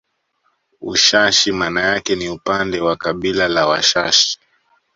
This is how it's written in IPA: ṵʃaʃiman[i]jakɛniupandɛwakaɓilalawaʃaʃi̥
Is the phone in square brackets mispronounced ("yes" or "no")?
yes